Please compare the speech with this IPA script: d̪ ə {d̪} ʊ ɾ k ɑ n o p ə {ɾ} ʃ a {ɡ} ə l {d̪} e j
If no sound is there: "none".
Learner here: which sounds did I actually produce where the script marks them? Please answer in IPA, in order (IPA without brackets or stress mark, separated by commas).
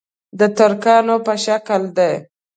t̪, none, k, d̪